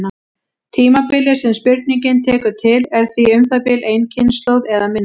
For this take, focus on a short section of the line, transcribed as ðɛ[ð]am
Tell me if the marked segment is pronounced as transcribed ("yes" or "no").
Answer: yes